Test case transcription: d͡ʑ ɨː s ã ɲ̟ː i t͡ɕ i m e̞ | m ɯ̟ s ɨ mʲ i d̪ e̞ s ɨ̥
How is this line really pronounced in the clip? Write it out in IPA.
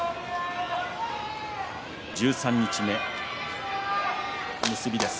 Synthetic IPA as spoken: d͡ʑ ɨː s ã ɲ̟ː i t͡ɕ i m e̞ | m ɯ̟ s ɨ bʲ i d̪ e̞ s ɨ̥